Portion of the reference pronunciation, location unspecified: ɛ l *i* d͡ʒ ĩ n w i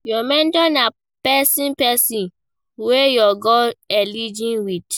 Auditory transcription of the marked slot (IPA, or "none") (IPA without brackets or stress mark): i